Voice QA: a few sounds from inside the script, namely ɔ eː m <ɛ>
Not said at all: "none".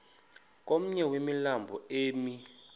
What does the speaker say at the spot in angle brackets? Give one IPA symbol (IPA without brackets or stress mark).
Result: i